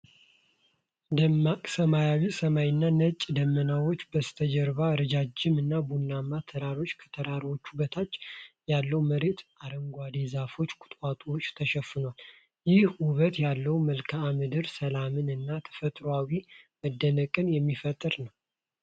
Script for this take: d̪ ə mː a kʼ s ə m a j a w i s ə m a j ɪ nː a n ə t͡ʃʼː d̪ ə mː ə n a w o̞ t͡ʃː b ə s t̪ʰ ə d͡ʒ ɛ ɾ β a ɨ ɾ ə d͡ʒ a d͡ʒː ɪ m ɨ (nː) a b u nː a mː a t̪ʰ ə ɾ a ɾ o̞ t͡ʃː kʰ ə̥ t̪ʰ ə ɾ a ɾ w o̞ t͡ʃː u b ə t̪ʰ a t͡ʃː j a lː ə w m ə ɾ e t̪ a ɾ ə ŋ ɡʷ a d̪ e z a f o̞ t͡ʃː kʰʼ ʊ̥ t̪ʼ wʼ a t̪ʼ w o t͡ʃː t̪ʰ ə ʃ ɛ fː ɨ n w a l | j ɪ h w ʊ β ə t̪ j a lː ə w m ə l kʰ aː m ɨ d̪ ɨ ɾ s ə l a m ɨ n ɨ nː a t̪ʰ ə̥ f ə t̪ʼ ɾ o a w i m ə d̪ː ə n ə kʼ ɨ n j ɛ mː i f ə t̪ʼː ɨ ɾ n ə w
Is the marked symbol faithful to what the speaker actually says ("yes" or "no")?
yes